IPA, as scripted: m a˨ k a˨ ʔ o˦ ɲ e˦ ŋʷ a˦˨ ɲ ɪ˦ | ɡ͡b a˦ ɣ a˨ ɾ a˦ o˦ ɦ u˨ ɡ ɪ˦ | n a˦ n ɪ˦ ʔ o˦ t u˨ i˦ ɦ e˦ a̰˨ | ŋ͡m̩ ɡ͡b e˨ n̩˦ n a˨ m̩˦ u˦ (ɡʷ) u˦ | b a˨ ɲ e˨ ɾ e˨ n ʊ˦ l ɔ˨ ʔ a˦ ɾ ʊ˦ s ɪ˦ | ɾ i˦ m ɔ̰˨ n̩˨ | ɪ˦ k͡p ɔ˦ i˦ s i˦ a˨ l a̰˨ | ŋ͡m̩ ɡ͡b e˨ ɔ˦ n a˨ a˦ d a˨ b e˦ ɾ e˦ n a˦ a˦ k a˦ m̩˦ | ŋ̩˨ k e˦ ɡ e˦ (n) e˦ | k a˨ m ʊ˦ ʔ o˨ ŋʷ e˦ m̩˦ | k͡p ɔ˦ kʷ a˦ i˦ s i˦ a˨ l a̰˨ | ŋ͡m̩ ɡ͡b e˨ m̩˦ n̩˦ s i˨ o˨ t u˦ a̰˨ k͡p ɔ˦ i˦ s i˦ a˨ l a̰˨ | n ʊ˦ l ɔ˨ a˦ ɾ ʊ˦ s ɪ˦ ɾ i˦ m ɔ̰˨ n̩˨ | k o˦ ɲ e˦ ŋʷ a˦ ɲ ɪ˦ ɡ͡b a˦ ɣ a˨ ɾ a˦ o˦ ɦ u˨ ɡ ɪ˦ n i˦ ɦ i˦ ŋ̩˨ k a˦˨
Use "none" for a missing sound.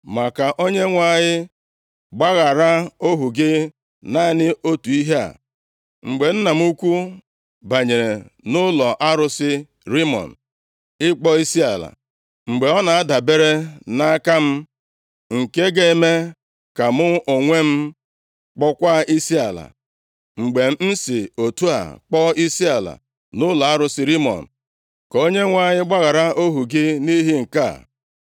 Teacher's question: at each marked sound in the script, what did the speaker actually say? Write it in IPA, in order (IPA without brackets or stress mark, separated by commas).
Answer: kʷ, m